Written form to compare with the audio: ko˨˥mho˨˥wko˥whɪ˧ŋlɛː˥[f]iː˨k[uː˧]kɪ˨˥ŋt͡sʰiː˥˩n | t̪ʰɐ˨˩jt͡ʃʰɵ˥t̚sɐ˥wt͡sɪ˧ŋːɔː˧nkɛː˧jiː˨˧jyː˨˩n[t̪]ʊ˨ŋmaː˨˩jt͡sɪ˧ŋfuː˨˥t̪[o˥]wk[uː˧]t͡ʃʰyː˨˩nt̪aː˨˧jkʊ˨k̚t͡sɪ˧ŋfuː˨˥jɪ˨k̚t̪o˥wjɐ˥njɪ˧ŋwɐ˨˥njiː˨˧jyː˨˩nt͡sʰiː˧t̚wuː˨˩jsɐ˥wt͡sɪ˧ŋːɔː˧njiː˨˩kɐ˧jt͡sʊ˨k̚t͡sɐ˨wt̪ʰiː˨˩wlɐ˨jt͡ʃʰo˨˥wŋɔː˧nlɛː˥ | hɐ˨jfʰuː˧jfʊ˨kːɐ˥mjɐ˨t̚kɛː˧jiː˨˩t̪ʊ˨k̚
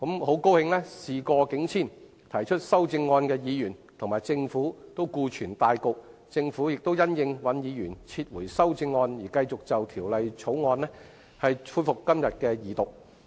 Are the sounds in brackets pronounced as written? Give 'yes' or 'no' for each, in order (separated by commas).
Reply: no, no, no, yes, yes